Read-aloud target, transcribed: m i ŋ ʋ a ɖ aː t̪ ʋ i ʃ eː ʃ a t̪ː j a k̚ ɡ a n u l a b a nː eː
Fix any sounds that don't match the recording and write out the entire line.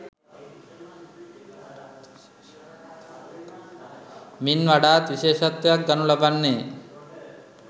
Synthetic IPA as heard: m i n ʋ a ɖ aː t̪ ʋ i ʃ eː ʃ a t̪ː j a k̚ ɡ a n u l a b a nː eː